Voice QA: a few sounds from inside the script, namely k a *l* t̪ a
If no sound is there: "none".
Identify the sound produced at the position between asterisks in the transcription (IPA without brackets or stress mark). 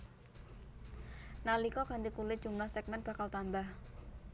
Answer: l